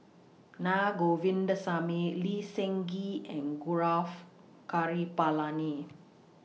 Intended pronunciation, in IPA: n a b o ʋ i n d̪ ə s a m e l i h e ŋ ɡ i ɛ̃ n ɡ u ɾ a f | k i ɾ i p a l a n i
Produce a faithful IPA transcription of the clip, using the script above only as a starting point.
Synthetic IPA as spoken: n a ɡ o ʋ i n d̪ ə s a m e l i s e ŋ ɡ i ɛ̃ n ɡ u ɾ a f | k a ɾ i p a l a n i